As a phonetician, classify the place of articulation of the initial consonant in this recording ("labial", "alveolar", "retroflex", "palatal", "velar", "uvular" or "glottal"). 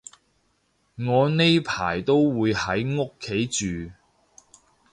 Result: velar